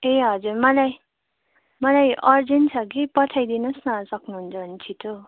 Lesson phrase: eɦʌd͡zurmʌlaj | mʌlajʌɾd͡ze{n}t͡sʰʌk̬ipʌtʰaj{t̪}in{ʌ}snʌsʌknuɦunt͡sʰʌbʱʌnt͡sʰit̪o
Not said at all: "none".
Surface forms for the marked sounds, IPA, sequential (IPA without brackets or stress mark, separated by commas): n, d̪, ʌ